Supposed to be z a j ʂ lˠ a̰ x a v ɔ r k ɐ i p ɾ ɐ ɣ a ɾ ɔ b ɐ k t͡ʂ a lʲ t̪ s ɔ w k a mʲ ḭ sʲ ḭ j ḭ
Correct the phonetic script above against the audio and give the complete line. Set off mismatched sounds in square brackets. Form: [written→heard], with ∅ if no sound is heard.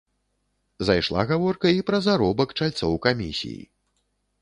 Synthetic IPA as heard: z a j ʂ lˠ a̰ [x→ɣ] a v ɔ r k ɐ i p ɾ ɐ [ɣ→z] a ɾ ɔ b ɐ k t͡ʂ a lʲ t̪ s ɔ w k a mʲ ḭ sʲ ḭ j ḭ